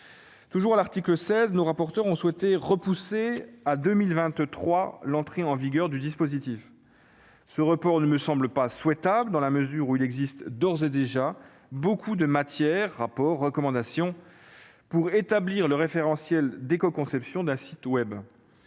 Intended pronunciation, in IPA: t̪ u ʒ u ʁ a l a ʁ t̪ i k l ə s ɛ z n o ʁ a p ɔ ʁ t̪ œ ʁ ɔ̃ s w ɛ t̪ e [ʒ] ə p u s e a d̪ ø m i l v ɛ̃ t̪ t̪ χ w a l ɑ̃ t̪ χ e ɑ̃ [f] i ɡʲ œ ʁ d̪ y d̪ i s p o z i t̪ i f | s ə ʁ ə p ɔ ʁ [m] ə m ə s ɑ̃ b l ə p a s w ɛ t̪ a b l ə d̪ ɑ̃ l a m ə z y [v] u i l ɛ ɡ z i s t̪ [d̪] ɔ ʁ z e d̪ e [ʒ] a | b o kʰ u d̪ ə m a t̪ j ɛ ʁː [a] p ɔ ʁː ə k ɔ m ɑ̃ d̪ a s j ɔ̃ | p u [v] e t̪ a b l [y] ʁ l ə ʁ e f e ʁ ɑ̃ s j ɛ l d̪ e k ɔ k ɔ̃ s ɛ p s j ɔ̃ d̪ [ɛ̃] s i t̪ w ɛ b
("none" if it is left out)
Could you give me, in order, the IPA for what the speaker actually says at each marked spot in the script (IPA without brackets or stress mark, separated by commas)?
ʁ, v, n, ʁ, d̪, ʒ, a, ʁ, i, ɛ̃